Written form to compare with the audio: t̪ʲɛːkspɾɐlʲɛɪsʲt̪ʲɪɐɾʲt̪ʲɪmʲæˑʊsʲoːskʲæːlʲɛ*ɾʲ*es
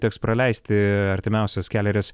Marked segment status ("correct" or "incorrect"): correct